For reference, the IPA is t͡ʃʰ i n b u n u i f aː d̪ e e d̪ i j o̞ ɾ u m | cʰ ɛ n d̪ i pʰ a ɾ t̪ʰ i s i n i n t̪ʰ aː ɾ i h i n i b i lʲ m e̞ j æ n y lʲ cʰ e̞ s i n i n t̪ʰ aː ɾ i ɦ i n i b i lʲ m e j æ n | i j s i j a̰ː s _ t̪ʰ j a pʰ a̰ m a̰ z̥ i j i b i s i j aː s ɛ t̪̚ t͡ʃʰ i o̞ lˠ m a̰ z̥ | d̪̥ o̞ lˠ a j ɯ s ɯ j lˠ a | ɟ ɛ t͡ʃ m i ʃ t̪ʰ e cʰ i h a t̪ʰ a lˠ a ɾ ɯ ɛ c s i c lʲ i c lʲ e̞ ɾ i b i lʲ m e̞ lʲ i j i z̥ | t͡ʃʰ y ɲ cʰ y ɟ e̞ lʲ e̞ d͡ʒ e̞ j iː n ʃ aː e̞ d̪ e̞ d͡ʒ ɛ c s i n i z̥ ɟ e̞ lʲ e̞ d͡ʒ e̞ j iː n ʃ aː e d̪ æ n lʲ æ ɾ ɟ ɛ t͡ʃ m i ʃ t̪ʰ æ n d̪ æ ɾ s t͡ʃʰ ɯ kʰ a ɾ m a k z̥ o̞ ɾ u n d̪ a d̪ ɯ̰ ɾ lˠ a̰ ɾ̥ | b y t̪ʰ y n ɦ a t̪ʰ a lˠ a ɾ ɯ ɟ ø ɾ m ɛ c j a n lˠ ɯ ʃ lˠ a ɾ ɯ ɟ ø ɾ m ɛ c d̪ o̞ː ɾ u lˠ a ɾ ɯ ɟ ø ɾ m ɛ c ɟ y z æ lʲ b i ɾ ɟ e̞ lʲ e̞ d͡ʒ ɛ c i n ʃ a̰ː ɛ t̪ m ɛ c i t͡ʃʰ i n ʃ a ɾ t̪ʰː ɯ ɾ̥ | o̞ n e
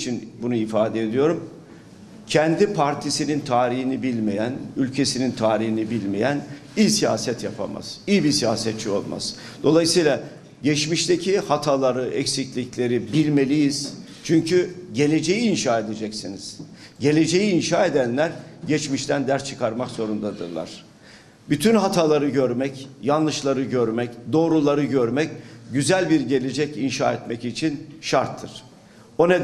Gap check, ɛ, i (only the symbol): ɛ